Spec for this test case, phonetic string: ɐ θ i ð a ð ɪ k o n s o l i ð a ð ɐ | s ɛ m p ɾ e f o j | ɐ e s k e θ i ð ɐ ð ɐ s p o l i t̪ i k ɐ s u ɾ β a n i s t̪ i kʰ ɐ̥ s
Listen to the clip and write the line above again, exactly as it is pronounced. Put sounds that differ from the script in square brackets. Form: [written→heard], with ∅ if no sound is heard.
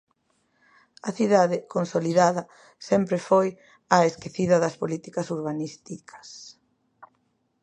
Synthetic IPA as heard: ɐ θ i ð a ð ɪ k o n s o l i ð a ð ɐ | s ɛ m p ɾ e f o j | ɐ e s k e θ i ð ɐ ð ɐ s p o l i t̪ i k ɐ s u ɾ β a n i s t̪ i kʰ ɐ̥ s